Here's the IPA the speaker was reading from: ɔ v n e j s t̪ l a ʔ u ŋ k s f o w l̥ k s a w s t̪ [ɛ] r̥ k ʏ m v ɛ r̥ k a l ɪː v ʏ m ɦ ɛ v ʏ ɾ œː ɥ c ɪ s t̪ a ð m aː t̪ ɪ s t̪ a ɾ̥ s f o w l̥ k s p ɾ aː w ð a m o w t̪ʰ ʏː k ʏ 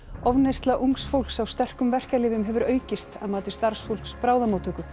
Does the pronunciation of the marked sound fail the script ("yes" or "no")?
no